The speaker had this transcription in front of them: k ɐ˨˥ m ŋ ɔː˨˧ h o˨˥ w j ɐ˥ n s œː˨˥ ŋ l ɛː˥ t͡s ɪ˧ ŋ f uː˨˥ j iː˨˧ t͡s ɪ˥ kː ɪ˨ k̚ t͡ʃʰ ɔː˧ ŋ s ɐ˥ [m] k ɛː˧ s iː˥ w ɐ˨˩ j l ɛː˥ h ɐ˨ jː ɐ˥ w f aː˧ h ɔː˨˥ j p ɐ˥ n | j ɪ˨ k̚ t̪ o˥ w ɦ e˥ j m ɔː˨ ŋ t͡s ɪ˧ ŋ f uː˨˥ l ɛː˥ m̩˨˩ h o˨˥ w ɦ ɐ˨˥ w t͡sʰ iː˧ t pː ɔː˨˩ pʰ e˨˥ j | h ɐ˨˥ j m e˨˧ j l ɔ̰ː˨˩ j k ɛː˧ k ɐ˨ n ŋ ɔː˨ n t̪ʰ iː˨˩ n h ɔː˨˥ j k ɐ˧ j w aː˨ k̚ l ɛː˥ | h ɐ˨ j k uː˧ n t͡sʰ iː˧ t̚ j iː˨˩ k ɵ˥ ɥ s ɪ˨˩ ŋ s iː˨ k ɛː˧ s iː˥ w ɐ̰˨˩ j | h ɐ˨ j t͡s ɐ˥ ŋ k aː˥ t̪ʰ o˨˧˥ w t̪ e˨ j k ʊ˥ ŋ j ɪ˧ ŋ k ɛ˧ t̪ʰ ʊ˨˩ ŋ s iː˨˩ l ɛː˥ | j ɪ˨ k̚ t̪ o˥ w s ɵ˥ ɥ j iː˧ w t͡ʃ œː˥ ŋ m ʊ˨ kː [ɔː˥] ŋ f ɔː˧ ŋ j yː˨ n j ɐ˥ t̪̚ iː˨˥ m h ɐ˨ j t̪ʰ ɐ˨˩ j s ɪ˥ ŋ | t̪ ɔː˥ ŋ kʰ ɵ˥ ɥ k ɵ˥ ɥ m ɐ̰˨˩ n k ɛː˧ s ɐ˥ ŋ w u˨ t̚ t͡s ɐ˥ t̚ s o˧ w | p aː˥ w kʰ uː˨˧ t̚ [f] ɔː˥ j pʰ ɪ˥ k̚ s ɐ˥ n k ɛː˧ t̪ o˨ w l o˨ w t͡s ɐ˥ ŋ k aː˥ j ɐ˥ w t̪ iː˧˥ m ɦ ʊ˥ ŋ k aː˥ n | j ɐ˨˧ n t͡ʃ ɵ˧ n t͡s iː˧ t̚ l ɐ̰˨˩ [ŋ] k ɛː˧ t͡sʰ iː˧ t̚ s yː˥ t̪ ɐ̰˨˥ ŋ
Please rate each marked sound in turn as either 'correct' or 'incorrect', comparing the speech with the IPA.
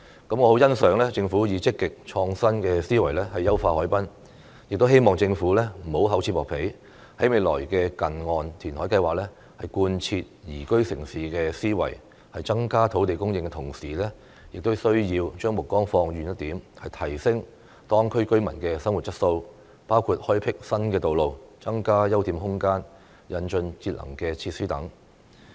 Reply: incorrect, correct, incorrect, correct

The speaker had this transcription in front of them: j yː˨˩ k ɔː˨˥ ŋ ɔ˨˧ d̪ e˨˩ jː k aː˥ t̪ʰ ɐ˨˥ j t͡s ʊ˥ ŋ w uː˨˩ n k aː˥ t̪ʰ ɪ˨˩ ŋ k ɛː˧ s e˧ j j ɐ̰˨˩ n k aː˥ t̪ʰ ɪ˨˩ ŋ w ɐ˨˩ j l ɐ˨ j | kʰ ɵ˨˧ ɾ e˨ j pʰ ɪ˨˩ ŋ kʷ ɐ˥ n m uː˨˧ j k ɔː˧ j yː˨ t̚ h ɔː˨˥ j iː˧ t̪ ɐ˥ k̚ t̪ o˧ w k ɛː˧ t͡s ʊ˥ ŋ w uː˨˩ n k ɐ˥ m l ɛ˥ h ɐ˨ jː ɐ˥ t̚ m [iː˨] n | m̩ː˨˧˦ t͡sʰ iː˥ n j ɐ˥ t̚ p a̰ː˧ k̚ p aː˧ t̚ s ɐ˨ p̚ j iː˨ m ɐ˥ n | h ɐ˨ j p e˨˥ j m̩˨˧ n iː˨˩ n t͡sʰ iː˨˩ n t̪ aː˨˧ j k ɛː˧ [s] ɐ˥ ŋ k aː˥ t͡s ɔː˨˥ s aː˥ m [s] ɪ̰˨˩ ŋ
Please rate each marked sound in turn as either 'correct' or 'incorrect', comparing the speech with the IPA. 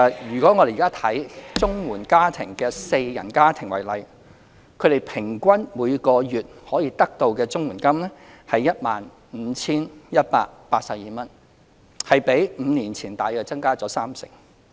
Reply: incorrect, incorrect, correct

